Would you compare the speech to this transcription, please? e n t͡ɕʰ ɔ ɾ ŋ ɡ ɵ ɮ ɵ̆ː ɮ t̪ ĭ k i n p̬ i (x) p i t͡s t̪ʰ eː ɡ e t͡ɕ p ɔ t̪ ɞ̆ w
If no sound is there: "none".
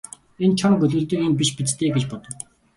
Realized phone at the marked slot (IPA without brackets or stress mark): ʃ